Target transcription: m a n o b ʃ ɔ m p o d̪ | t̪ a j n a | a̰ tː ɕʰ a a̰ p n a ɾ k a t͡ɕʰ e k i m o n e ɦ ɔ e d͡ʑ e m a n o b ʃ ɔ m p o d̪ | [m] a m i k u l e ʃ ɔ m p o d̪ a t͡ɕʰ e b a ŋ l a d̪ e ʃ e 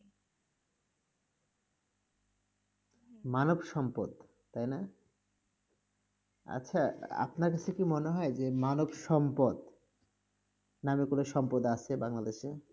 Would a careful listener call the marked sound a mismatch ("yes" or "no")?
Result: yes